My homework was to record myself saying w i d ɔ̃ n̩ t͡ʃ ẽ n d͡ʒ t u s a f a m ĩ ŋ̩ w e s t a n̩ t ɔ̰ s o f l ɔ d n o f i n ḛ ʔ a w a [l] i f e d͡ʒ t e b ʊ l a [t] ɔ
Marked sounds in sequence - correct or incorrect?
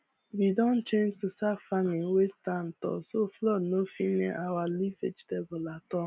correct, correct

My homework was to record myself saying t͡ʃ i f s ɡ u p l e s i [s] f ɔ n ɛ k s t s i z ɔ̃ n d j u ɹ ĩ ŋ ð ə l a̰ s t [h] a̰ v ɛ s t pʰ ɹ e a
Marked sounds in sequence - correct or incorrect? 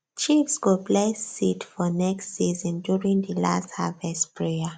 incorrect: t, correct

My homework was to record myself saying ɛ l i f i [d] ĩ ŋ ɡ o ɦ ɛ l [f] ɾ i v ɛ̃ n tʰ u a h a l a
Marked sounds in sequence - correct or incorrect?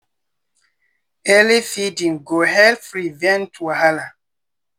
correct, correct

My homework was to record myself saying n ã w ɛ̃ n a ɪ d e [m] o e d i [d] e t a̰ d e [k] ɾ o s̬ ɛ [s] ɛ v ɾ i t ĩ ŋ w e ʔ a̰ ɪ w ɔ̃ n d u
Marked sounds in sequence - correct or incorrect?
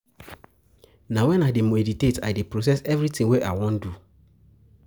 correct, incorrect: t, incorrect: p, correct

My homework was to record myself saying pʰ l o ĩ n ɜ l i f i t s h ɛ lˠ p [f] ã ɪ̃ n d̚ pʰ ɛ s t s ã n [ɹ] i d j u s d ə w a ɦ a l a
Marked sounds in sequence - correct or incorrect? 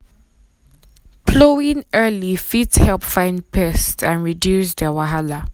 correct, correct

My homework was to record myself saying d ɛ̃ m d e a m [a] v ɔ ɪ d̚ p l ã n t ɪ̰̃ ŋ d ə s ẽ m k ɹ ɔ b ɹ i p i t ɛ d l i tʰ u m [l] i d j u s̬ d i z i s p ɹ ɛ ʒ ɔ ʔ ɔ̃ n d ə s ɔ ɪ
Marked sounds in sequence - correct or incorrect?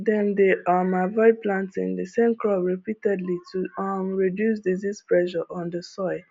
correct, incorrect: ɹ

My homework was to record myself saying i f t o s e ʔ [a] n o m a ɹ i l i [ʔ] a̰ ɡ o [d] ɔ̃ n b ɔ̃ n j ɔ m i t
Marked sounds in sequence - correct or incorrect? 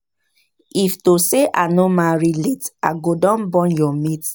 correct, incorrect: t, correct

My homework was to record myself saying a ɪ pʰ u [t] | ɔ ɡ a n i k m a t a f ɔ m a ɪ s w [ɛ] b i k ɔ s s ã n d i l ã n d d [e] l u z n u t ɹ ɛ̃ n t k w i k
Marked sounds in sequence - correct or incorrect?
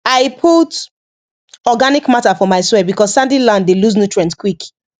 correct, correct, correct

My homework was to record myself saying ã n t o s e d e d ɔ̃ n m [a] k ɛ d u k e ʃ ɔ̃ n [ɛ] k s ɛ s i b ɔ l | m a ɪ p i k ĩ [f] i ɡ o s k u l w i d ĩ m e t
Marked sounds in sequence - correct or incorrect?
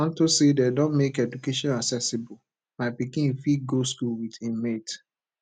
incorrect: e, incorrect: a, correct

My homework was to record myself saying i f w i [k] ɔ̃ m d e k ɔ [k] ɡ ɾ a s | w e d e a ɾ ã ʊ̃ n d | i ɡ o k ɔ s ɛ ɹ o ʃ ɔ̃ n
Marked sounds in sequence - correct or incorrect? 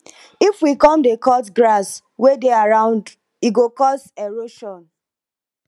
correct, incorrect: t

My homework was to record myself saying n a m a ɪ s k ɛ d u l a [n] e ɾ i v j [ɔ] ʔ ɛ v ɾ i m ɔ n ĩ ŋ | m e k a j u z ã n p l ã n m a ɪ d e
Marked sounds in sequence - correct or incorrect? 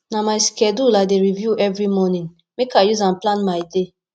incorrect: d, incorrect: u

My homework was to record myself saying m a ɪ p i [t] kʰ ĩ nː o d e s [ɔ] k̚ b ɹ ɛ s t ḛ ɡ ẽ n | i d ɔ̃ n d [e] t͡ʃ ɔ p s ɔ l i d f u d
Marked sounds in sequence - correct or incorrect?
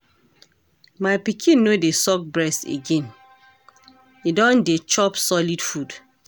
incorrect: none, correct, correct

